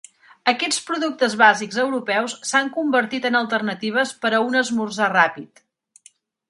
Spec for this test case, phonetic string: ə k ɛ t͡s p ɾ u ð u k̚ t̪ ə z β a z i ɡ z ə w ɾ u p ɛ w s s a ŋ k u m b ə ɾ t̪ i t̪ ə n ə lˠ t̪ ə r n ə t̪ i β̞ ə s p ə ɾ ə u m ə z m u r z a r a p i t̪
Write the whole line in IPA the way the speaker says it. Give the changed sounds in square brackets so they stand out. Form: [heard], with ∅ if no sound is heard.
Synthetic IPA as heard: ə k ɛ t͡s p ɾ u ð u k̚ t̪ ə z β a z i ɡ z ə w ɾ u p ɛ w s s a ŋ k u m b ə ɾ t̪ i t̪ ə n ə lˠ t̪ ə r n ə t̪ i β̞ ə s p ə ɾ ə u [n] ə z m u r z a r a p i t̪